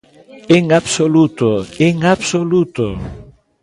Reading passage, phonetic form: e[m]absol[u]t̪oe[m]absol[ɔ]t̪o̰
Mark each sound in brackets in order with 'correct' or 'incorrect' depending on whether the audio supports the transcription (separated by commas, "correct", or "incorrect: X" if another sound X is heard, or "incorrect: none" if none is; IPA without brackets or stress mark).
incorrect: ŋ, correct, incorrect: ŋ, incorrect: u